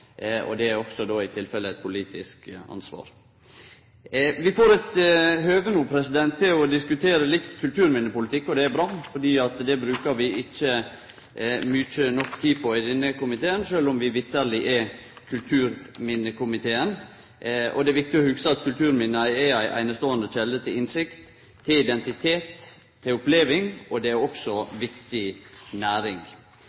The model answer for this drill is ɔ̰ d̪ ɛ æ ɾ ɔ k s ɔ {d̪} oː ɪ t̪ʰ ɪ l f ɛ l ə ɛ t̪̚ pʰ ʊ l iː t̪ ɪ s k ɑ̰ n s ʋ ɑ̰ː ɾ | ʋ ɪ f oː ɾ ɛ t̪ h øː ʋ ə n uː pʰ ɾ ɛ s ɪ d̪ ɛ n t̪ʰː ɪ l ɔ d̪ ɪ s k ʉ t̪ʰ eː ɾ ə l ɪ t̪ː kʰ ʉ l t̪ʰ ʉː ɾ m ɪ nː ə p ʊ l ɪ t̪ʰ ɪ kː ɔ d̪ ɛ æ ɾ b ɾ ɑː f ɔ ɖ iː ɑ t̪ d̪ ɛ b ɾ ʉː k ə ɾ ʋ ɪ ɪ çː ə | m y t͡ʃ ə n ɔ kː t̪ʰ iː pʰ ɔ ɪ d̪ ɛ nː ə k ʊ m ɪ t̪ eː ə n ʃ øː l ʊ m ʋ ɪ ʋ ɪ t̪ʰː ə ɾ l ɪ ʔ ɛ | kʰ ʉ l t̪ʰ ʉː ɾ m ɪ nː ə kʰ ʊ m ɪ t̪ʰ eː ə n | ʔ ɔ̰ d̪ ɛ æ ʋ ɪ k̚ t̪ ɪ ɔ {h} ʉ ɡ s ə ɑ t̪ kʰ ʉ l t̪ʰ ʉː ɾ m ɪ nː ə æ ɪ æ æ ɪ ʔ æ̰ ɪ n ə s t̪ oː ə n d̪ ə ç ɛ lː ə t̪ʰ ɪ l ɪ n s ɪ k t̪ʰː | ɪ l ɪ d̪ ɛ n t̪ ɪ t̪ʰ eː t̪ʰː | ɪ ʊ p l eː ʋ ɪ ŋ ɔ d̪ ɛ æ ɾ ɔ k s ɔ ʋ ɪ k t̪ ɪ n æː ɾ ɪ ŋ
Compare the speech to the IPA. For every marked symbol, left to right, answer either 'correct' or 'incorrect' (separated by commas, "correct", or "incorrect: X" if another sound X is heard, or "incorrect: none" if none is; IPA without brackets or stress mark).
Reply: correct, correct